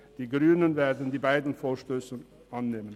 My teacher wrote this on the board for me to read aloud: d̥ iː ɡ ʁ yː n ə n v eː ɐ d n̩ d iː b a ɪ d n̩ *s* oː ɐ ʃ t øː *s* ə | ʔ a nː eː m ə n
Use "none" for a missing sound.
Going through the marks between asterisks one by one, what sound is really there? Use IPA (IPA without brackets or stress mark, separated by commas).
f, s